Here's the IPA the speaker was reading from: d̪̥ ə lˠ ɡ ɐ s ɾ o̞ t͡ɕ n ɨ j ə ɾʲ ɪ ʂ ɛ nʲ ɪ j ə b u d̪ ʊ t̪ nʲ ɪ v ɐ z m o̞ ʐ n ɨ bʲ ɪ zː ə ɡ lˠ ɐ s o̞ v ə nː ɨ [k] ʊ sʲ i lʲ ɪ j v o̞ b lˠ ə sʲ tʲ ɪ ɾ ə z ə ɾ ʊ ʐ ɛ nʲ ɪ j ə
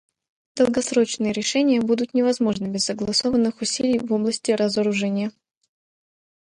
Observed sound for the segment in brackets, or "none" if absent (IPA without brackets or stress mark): x